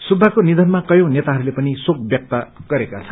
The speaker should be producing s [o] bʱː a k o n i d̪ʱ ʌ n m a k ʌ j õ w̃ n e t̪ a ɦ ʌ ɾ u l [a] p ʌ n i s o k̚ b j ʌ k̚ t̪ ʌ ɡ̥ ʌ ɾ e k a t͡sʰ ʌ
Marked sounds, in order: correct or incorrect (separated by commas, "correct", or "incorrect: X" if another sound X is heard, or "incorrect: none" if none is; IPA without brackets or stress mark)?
incorrect: u, incorrect: e